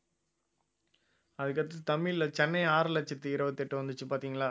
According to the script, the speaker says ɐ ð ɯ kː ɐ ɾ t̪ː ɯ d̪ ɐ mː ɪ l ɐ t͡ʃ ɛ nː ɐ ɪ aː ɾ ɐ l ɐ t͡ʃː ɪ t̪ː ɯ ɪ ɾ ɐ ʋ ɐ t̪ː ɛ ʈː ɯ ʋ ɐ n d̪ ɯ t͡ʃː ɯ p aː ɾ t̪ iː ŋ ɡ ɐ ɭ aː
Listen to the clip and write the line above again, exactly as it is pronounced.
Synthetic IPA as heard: ɐ ð ɯ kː ɐ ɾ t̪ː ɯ t̪ ɐ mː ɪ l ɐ t͡ʃ ɛ nː ɐ ɪ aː ɾ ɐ l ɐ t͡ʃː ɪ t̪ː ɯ ɪ ɾ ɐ ʋ ɐ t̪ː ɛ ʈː ɯ ʋ ɐ n d̪ ɯ t͡ʃː ɯ p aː ɾ t̪ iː ŋ ɡ ɐ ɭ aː